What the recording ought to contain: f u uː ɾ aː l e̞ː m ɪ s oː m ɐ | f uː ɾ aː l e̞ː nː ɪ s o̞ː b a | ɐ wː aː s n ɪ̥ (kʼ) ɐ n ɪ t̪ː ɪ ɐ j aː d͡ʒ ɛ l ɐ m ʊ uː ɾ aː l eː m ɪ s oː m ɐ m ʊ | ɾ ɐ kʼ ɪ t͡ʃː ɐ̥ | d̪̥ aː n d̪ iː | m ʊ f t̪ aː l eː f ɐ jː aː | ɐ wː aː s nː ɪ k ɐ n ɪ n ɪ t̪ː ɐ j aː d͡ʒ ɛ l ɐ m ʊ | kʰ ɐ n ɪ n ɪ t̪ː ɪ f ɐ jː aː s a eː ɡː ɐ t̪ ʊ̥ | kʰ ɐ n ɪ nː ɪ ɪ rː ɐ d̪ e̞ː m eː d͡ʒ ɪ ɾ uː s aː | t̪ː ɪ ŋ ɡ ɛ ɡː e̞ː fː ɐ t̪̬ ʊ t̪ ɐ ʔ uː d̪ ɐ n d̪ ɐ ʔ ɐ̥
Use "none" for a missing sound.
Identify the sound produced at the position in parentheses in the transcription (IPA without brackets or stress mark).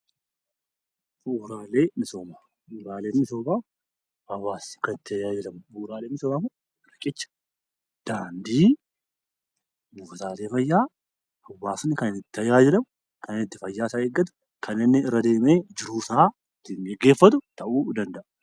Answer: k